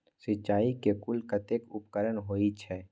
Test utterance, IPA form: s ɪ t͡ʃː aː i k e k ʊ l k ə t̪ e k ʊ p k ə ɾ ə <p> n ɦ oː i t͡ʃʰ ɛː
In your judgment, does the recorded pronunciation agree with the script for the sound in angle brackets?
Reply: no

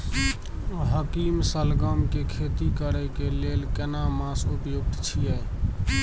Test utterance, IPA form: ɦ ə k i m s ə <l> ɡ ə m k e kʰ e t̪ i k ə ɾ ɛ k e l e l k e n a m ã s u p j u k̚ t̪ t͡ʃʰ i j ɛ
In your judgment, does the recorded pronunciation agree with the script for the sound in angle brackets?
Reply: yes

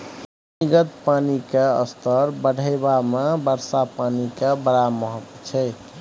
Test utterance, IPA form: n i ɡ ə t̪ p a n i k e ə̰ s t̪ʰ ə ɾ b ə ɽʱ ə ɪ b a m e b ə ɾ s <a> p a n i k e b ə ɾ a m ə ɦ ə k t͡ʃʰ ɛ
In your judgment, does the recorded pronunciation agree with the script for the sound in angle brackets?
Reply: yes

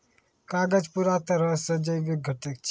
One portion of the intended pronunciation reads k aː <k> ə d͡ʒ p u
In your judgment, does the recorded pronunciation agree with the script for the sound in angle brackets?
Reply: no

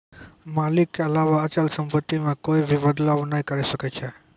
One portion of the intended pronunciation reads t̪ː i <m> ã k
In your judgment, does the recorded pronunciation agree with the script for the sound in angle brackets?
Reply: yes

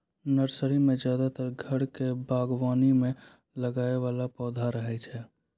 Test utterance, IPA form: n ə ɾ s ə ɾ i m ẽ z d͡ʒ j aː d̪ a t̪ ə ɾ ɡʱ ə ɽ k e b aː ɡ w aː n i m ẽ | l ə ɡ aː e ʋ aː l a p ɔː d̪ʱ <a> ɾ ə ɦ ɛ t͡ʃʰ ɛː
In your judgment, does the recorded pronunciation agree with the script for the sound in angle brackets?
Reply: yes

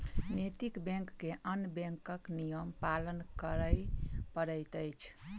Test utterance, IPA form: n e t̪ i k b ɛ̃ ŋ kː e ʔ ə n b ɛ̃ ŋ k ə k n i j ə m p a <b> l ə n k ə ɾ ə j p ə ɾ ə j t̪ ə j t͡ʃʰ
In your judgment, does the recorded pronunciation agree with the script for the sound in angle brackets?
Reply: no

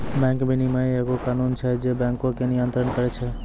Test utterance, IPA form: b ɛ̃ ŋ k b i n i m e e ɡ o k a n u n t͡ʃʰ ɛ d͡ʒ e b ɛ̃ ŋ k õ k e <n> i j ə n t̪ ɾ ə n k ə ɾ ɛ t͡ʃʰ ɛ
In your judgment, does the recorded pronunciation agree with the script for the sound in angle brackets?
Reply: yes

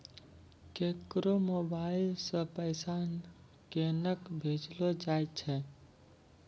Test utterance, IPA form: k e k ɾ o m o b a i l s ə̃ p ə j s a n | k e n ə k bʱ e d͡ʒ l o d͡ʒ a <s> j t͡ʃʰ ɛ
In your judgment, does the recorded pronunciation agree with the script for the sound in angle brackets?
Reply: no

